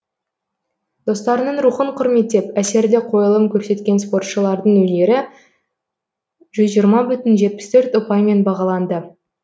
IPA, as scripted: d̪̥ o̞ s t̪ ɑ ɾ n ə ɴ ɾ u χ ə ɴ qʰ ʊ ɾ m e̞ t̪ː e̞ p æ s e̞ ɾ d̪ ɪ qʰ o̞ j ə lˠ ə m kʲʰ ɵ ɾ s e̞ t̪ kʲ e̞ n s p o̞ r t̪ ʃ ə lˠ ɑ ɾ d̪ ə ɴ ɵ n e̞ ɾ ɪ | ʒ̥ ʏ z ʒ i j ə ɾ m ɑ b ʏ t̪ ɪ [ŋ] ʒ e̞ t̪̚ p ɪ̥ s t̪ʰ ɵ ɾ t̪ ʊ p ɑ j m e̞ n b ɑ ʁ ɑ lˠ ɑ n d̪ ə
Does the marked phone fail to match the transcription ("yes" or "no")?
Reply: yes